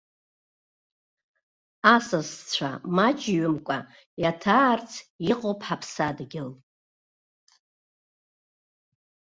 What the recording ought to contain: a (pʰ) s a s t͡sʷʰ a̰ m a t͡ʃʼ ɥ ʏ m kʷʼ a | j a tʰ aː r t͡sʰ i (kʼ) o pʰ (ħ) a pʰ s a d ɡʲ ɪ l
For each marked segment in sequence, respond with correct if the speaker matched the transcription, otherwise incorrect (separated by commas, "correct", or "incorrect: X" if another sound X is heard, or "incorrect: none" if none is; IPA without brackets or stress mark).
incorrect: none, incorrect: qʼ, correct